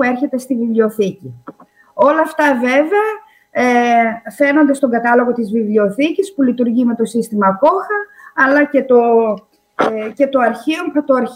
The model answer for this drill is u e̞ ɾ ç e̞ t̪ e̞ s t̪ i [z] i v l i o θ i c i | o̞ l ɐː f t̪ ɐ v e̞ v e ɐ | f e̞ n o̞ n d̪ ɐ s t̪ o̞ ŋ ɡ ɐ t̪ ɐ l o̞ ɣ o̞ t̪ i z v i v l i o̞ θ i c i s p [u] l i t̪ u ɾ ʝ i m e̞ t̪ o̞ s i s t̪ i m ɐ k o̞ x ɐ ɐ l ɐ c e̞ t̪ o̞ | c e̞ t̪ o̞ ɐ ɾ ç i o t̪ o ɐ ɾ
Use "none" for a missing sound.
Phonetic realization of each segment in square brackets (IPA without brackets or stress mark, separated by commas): v, u